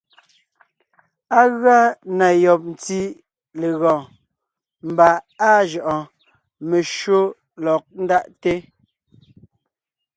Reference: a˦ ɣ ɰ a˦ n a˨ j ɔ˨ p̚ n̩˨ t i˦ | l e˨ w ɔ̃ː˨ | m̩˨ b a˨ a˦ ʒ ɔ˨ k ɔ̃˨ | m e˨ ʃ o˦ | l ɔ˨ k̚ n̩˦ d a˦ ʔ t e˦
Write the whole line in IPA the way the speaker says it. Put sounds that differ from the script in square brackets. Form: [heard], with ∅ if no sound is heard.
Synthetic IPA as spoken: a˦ ɣ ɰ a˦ n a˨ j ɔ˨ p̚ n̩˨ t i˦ | l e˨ [ɣ] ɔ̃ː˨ | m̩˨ b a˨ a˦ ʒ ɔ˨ [ʔ] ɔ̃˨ | m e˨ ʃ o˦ | l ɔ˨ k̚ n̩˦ d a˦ ʔ t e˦

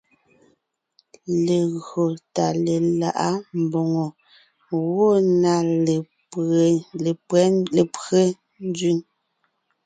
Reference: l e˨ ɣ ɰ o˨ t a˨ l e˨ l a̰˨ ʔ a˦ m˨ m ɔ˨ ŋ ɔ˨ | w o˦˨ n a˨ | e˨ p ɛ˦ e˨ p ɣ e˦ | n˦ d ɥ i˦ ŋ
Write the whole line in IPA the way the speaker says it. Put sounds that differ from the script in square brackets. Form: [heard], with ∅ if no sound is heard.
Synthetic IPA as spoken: l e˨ ɣ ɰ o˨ t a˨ l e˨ l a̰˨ ʔ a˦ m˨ [b] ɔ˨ ŋ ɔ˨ | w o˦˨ n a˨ | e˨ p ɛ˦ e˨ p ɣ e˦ | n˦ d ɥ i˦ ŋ

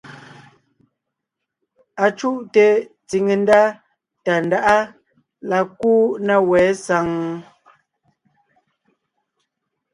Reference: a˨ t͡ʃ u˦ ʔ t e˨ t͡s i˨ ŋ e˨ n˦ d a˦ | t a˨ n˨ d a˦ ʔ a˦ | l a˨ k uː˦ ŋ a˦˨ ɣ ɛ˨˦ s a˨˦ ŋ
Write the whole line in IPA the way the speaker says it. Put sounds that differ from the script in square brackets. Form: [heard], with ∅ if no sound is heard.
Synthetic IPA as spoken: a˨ t͡ʃ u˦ ʔ t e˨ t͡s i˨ ŋ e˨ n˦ d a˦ | t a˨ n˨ d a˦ ʔ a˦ | l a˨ k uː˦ [n] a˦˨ [w] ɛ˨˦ s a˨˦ ŋ

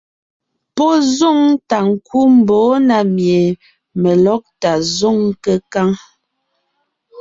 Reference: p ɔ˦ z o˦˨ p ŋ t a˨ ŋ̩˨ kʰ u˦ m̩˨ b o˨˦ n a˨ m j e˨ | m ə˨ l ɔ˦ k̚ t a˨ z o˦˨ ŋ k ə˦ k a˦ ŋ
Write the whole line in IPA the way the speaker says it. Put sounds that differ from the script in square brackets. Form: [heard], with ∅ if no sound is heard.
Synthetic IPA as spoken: p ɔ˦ z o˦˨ [∅] ŋ t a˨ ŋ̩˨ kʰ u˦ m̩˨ b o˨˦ n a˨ m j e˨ | m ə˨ l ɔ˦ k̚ t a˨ z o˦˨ ŋ k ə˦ k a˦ ŋ

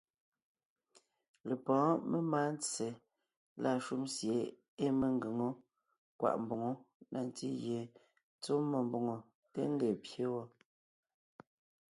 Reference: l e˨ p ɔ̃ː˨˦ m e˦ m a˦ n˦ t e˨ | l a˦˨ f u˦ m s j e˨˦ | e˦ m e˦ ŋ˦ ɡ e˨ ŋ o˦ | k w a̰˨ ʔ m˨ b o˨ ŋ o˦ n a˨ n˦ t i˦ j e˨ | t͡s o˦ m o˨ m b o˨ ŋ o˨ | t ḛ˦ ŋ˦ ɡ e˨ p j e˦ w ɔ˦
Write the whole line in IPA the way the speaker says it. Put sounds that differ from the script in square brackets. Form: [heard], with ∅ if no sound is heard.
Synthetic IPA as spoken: l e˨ p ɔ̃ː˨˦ m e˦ m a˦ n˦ [t͡s] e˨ | l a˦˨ [ʃ] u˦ m s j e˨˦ | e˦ m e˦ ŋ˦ ɡ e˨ ŋ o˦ | k w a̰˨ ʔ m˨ b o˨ ŋ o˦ n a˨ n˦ t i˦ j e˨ | t͡s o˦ m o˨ m b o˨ ŋ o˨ | t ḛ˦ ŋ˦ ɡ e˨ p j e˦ w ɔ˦

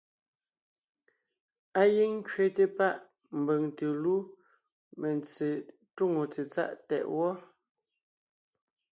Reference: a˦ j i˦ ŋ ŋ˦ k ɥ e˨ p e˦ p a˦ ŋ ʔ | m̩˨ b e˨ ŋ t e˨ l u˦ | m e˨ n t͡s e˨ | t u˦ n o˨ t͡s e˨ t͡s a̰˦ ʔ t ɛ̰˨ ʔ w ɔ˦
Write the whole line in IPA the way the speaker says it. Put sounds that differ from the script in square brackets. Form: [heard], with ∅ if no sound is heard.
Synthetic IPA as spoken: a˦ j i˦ ŋ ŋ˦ k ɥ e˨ [t] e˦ p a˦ [∅] ʔ | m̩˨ b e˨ ŋ t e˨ l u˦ | m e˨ n t͡s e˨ | t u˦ [ŋ] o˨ t͡s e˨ t͡s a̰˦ ʔ t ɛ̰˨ ʔ w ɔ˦

